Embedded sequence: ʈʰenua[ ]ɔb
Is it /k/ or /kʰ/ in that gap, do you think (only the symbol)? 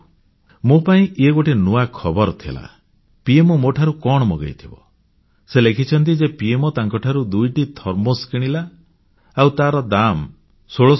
kʰ